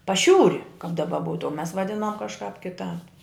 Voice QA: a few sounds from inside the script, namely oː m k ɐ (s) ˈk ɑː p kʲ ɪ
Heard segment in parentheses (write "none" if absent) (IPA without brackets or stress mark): ʃ